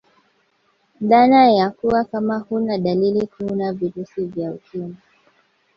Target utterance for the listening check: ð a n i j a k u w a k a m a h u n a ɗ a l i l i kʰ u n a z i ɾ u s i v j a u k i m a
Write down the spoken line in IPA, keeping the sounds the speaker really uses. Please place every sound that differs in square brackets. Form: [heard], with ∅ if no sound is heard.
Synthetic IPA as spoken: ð a n [a] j a k u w a k a m a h u n a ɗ a l i l i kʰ u n a [v] i ɾ u s i v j a u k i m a